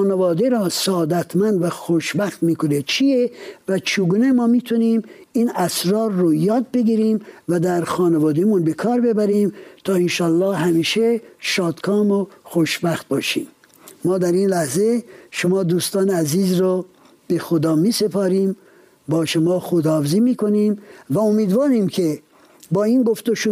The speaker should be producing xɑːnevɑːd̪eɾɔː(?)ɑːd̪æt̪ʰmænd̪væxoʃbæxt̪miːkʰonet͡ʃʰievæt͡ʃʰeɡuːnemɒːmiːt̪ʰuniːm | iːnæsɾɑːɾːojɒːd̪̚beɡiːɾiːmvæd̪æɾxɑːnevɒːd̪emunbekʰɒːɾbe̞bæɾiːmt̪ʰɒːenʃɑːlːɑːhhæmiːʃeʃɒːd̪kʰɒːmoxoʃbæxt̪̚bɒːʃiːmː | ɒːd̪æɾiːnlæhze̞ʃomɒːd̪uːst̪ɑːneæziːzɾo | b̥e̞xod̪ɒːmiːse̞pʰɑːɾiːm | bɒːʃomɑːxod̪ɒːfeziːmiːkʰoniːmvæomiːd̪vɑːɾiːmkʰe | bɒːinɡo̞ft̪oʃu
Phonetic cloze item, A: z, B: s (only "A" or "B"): B